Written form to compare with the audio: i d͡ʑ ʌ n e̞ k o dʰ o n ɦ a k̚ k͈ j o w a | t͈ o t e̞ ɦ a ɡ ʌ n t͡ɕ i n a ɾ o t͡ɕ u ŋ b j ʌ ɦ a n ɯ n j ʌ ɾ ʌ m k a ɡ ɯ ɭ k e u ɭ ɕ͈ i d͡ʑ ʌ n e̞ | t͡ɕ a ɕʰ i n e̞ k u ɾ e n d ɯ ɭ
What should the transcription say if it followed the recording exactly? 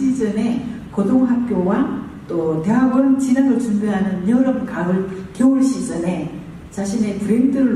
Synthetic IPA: i d͡ʑ ʌ n e̞ k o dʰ o ŋ ɦ a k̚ k͈ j o w a | t͈ o t e̞ ɦ a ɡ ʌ n t͡ɕ i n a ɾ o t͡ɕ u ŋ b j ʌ ɦ a n ɯ n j ʌ ɾ ʌ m k a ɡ ɯ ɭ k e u ɭ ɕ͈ i d͡ʑ ʌ n e̞ | t͡ɕ a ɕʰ i n e̞ p u ɾ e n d ɯ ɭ